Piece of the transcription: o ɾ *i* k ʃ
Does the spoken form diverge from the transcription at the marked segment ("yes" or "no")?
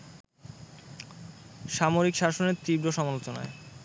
no